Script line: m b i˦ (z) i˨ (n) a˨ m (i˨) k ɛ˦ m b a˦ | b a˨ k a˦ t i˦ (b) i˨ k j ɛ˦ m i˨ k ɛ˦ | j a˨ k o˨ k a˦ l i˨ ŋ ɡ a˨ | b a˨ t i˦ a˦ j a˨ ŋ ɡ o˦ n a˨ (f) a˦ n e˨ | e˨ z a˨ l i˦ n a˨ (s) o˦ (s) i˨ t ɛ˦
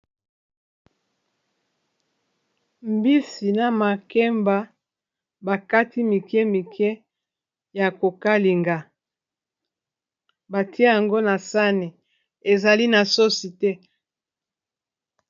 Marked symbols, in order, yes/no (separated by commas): no, yes, no, no, no, yes, yes